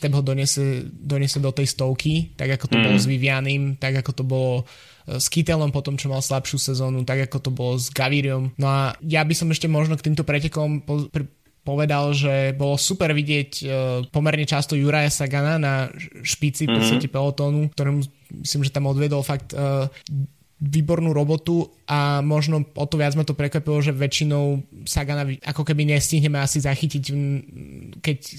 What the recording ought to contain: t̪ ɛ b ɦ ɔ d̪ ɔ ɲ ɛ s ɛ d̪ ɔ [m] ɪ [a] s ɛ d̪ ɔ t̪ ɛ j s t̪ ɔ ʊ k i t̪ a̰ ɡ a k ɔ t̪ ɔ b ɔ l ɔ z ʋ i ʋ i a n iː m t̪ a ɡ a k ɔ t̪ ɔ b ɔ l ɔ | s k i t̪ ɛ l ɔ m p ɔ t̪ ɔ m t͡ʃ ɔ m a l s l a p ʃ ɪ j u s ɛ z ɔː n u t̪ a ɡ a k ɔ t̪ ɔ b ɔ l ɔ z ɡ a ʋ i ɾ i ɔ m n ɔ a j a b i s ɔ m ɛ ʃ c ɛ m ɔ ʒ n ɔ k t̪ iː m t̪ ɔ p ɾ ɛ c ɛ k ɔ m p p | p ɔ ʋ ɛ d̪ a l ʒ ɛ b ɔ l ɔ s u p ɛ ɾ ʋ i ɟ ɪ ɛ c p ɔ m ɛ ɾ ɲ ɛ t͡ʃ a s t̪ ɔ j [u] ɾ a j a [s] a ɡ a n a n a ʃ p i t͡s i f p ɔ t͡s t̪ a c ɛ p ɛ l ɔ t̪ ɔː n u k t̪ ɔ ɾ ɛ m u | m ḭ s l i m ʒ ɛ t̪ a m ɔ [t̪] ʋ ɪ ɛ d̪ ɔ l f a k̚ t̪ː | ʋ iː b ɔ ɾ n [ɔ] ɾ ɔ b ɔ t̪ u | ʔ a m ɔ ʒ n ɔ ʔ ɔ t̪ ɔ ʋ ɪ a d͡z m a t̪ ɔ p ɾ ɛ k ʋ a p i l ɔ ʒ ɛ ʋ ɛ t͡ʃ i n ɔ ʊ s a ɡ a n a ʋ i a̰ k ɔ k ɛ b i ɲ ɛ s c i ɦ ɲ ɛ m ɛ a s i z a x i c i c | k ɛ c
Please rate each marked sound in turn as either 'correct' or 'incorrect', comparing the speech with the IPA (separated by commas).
incorrect, incorrect, correct, correct, incorrect, incorrect